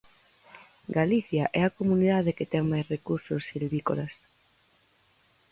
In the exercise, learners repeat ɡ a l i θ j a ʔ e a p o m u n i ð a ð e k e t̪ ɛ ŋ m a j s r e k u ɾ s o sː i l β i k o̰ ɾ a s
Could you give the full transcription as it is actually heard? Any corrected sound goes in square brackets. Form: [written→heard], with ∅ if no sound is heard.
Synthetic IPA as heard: ɡ a l i θ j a ʔ [e→ɛ] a [p→k] o m u n i ð a ð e k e t̪ ɛ ŋ m a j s r e k u ɾ s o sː i l β i k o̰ [ɾ→l] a s